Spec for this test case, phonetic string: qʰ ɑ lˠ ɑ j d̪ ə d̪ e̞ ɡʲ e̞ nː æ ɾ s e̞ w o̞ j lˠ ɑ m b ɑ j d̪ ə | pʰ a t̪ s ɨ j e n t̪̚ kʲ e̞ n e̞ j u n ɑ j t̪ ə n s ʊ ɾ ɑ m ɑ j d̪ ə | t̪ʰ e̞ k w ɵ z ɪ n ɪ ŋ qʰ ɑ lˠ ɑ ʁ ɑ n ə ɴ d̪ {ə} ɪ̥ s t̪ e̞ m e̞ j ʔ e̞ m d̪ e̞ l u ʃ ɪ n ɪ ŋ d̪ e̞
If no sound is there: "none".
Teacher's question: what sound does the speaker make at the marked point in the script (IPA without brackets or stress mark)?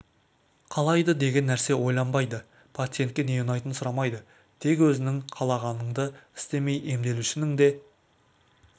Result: ə